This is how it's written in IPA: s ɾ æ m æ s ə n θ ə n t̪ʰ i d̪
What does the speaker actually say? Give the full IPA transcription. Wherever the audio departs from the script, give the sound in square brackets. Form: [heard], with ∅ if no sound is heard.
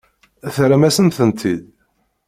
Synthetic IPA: [θ] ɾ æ m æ s ə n θ ə n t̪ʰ i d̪